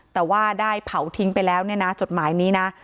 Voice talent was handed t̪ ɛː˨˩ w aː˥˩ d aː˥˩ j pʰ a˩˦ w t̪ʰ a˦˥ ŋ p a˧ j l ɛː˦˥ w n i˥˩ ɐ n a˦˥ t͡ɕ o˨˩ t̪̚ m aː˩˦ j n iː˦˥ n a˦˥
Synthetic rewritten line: t̪ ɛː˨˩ w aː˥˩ d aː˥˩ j pʰ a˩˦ w t̪ʰ i˦˥ ŋ p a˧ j l ɛː˦˥ w n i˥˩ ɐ n a˦˥ t͡ɕ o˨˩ t̪̚ m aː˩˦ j n iː˦˥ n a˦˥

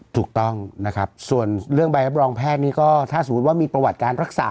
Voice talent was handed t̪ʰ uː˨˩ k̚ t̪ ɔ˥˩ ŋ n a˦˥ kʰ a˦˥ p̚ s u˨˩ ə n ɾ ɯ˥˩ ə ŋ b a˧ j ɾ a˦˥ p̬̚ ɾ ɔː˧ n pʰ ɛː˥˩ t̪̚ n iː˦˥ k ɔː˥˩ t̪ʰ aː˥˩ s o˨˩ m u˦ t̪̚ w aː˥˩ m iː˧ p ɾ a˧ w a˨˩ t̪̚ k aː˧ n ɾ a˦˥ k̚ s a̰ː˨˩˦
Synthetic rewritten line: t̪ʰ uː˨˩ k̚ t̪ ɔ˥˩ ŋ n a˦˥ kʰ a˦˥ p̚ s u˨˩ ə n ɾ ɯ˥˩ ə ŋ b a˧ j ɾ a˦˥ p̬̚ ɾ ɔː˧ ŋ pʰ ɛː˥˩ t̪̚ n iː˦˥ k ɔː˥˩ t̪ʰ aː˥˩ s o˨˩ m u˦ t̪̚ w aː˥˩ m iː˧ p ɾ a˧ w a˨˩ t̪̚ k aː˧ n ɾ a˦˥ k̚ s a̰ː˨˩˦

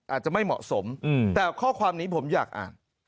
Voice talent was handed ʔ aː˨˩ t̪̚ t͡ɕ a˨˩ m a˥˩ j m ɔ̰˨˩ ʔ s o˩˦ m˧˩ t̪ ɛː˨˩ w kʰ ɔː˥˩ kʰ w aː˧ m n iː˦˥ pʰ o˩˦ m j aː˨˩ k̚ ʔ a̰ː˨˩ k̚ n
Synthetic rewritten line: ʔ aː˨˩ t̪̚ t͡ɕ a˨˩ m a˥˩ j m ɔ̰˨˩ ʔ s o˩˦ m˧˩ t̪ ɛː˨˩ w kʰ ɔː˥˩ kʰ w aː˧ m n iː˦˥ pʰ o˩˦ m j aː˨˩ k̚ ʔ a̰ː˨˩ n

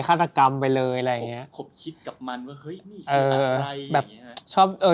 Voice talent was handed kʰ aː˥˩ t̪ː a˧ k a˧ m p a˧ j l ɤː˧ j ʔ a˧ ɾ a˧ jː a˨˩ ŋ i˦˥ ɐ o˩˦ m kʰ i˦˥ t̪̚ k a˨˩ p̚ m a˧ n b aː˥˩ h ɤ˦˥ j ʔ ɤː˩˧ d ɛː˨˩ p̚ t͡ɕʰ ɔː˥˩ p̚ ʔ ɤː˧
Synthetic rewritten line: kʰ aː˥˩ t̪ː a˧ k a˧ m p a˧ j l ɤː˧ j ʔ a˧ ɾ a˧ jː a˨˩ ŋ i˦˥ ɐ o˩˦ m kʰ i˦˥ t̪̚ k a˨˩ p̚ m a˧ n w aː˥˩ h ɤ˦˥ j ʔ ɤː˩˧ b ɛː˨˩ p̚ t͡ɕʰ ɔː˥˩ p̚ ʔ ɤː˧

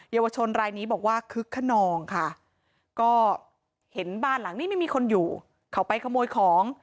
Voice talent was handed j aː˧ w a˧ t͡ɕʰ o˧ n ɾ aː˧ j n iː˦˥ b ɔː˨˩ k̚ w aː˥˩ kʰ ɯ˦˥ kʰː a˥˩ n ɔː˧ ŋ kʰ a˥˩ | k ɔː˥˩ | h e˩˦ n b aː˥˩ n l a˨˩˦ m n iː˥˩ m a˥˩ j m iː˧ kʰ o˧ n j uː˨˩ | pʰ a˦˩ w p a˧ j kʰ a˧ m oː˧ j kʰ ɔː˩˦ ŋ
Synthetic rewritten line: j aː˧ w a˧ t͡ɕʰ o˧ n ɾ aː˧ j n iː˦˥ b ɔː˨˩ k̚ w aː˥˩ kʰ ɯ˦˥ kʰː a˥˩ n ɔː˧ ŋ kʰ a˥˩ | k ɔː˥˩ | h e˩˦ n b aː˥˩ n l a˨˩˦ ŋ n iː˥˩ m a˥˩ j m iː˧ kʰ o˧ n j uː˨˩ | kʰ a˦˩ w p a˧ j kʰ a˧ m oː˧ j kʰ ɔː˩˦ ŋ

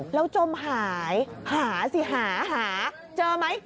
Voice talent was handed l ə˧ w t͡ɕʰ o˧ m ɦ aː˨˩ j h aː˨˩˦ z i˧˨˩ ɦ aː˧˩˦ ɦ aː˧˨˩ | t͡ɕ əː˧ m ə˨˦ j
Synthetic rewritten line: l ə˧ w t͡ɕ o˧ m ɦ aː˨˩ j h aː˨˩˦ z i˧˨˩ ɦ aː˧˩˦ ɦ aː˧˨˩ | t͡ɕ əː˧ m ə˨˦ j

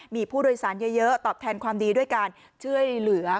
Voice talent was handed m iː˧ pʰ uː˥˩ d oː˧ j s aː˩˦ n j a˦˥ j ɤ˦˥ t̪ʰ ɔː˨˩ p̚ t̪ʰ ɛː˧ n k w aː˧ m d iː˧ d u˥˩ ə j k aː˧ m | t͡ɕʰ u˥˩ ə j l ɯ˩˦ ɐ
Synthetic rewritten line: m iː˧ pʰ uː˥˩ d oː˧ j s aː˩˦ n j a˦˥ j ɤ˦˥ t̪ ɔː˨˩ p̚ t̪ʰ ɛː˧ n k w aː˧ m d iː˧ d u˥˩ ə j k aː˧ n | t͡ɕʰ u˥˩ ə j l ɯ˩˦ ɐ

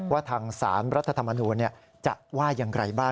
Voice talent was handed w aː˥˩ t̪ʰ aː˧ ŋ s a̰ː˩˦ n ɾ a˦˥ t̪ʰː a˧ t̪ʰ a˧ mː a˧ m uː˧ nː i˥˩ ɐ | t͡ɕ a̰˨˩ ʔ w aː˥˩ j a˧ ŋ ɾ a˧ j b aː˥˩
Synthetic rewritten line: w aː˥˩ t̪ʰ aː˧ ŋ s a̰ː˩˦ n ɾ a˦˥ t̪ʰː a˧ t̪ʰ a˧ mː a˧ n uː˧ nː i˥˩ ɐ | t͡ɕ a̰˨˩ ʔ w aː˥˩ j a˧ ŋ ɾ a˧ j b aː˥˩

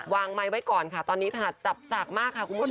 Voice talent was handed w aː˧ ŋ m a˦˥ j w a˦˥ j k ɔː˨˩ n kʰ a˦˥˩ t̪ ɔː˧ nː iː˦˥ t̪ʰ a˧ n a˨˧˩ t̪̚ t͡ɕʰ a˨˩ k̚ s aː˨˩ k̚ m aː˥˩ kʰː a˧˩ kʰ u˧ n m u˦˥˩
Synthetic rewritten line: w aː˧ ŋ m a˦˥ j w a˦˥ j k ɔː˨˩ n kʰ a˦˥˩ t̪ ɔː˧ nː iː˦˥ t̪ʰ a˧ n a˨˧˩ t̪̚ t͡ɕ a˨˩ p̚ s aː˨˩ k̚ m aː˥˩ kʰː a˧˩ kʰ u˧ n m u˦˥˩

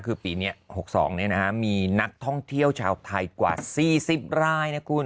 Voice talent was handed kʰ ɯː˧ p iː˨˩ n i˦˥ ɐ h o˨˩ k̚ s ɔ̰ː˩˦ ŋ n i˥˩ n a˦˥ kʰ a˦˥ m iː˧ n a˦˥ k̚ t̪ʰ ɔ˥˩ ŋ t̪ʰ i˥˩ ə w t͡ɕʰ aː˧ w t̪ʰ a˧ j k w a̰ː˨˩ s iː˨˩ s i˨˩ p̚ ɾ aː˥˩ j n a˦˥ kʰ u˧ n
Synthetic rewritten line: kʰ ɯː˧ p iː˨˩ n i˦˥ ɐ h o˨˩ k̚ s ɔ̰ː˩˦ ŋ n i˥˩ n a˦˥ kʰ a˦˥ m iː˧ n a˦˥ k̚ t̪ʰ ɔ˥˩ ŋ t̪ʰ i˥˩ ə w t͡ɕʰ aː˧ w t̪ʰ a˧ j k w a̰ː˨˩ s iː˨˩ s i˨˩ p̚ ɾ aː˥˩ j n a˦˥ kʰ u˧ n

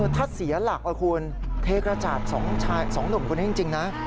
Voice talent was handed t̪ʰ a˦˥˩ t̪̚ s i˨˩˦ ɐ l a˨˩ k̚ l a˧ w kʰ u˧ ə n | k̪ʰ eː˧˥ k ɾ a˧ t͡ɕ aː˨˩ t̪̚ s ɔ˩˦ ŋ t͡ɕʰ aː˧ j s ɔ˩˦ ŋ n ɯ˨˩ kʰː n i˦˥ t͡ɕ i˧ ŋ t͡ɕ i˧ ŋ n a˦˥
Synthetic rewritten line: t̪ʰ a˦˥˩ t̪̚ s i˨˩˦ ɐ l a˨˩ k̚ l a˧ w kʰ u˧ ə n | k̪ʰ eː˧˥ k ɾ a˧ t͡ɕ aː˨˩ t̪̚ s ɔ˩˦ ŋ t͡ɕʰ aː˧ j s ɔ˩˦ ŋ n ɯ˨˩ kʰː n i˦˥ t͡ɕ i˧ ŋ t͡ɕ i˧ ŋ n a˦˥

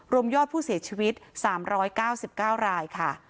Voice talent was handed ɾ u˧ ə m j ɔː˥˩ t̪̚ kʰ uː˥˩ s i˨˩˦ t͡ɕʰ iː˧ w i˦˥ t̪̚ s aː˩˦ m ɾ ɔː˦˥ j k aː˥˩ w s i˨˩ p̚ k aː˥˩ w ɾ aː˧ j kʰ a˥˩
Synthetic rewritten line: ɾ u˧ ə m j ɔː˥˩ t̪̚ pʰ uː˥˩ s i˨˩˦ t͡ɕʰ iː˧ w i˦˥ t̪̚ s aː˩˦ m ɾ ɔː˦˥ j k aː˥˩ w s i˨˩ p̚ k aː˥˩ w ɾ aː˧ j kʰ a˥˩

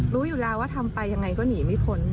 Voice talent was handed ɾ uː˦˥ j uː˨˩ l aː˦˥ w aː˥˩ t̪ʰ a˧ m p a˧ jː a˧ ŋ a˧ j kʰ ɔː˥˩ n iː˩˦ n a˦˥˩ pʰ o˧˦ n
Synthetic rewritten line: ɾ uː˦˥ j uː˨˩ l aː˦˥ w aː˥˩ t̪ʰ a˧ m p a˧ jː a˧ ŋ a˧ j k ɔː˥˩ n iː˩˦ m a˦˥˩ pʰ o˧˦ n

